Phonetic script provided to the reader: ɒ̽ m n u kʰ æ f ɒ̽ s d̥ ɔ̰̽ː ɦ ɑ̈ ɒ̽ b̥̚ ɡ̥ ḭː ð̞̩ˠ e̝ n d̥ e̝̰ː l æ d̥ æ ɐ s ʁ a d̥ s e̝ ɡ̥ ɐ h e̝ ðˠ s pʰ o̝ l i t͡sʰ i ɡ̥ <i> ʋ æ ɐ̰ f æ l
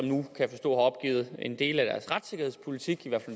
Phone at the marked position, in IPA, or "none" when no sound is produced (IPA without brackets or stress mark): i